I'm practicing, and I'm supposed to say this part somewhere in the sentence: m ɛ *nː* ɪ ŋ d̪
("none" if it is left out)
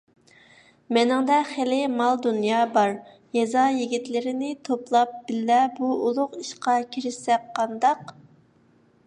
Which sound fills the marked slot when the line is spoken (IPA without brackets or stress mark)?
n